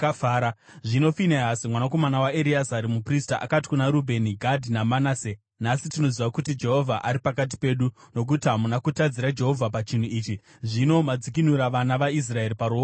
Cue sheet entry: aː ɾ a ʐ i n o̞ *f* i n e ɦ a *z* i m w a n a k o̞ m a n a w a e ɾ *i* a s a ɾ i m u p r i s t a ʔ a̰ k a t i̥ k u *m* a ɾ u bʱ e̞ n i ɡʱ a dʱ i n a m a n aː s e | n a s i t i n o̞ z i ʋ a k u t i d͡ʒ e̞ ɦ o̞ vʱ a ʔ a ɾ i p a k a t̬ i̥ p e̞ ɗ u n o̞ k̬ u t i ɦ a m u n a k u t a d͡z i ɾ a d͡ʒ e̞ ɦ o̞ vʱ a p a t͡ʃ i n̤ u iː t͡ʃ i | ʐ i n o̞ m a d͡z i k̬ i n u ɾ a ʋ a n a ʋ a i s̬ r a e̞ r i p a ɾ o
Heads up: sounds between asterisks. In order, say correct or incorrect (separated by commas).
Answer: correct, incorrect, correct, incorrect